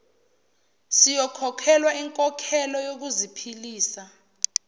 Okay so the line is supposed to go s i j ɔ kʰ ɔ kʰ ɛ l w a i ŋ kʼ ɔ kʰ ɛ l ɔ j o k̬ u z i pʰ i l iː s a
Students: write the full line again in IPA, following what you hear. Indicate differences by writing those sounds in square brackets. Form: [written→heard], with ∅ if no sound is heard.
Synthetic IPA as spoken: s i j ɔ kʰ ɔ kʰ ɛ l w a i ŋ kʼ ɔ kʰ ɛ l ɔ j o k̬ u z i pʰ i l iː s a